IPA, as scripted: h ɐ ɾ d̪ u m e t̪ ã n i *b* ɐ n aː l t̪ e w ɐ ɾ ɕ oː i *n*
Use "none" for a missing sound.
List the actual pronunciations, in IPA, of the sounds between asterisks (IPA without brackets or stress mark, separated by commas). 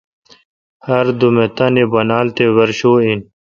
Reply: b, n